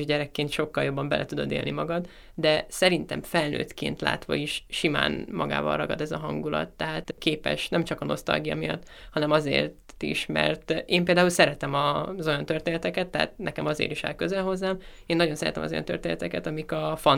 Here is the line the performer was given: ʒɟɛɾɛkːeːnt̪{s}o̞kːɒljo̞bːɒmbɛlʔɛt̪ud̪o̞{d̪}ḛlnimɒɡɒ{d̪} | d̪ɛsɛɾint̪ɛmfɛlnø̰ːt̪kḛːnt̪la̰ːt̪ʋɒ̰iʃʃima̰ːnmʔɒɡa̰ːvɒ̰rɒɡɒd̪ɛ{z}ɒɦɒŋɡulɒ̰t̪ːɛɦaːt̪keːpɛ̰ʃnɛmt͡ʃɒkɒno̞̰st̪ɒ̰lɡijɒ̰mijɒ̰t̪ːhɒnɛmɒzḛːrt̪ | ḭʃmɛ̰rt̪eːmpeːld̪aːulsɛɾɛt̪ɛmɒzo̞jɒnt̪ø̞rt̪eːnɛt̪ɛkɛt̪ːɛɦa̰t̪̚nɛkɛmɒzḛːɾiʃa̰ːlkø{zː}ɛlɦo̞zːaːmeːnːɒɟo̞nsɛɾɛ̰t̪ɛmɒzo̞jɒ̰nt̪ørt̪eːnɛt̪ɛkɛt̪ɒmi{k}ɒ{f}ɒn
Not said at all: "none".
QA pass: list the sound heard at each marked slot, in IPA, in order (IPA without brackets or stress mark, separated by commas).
ʃ, d̪, d̪, z, z, k, f